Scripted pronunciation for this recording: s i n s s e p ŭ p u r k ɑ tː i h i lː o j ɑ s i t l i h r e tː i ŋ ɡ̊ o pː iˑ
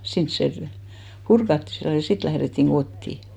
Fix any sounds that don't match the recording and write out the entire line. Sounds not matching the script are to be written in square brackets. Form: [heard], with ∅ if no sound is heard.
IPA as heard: s i n s s e p ŭ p u r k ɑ tː i [s] i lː o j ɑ s i t l [æ] h r e tː i ŋ ɡ̊ o [tː] iˑ